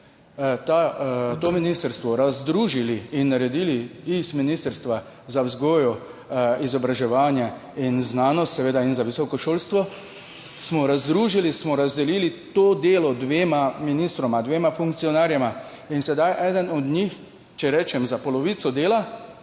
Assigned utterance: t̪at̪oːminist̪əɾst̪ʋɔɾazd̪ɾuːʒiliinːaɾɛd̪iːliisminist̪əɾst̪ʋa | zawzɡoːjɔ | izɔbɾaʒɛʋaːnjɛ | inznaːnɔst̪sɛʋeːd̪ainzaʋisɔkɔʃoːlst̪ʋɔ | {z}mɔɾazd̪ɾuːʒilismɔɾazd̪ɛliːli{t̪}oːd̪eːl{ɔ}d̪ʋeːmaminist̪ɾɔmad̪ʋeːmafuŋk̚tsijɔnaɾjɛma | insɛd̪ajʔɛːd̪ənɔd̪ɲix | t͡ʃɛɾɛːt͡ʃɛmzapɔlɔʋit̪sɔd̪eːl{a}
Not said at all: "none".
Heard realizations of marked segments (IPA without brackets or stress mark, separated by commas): s, t̪, ɔ, a